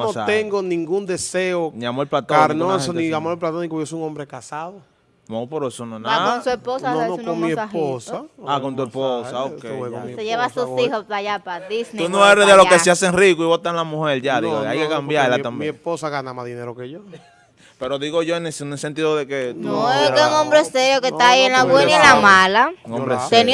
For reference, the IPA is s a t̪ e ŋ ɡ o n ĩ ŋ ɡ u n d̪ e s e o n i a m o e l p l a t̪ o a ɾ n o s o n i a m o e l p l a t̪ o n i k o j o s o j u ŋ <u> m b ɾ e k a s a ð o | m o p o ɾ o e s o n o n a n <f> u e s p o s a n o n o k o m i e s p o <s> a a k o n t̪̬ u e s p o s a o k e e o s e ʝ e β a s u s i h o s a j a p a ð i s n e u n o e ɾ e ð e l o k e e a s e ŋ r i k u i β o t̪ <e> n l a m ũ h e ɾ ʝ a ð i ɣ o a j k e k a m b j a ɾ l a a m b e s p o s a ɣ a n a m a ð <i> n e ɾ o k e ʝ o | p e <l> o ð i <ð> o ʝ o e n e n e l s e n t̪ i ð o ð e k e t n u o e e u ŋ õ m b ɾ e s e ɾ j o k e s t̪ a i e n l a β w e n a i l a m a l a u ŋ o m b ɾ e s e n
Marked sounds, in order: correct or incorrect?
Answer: incorrect: o, incorrect: s, correct, incorrect: a, correct, incorrect: ɾ, incorrect: ɣ

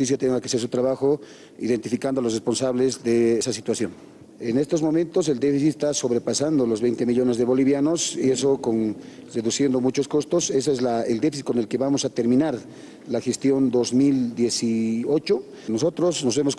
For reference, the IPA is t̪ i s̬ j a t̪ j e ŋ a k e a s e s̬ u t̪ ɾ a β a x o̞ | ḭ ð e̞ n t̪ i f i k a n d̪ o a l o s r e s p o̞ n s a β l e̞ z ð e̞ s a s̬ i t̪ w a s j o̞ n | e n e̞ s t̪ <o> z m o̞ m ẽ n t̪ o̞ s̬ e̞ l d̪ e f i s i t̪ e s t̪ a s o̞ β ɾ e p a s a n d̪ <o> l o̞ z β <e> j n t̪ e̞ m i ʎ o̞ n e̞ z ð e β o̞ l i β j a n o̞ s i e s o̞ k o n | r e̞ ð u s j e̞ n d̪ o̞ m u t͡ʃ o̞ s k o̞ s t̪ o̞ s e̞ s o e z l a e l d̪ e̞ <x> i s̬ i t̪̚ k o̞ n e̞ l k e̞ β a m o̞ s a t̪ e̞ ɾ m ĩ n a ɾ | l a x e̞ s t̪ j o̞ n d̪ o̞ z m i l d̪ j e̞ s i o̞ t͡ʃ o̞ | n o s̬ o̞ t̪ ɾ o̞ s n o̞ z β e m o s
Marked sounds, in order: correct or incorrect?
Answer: correct, correct, correct, incorrect: f

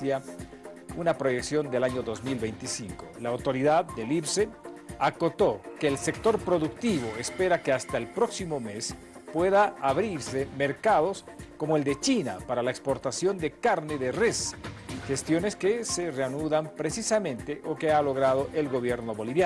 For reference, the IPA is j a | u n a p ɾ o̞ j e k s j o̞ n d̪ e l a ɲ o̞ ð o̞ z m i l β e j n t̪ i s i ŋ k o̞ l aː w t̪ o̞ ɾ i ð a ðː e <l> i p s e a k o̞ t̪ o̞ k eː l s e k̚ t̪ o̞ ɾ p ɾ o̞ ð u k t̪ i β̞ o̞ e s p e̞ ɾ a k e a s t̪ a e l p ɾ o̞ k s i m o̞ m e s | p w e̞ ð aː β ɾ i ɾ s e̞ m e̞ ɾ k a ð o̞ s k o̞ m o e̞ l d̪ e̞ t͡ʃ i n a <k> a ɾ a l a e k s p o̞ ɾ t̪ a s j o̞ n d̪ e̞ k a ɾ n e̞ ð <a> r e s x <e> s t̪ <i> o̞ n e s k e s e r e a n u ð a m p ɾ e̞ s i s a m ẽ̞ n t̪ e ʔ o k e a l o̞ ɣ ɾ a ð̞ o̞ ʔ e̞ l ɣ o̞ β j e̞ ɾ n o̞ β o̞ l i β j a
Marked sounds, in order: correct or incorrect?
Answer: correct, incorrect: p, incorrect: e, correct, incorrect: j

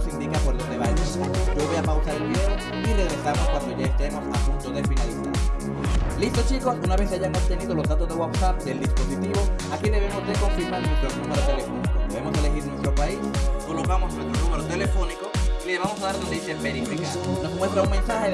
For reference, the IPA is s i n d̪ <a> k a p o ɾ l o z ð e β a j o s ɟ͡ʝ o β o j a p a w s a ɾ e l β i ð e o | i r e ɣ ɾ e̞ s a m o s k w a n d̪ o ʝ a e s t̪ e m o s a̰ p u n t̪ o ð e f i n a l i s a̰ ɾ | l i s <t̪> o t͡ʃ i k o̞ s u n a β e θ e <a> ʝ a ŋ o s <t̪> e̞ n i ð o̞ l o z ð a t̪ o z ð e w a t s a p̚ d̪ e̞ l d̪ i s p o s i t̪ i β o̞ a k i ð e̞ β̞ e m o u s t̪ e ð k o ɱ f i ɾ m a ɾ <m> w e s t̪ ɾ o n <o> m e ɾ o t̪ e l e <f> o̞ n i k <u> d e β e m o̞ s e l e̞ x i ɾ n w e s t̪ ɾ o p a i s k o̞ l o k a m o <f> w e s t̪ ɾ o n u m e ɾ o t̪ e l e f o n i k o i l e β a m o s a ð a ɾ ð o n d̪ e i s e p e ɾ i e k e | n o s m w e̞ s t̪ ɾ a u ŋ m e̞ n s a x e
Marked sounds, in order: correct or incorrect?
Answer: incorrect: i, correct, correct, correct, incorrect: n, incorrect: u, correct, incorrect: o, incorrect: s

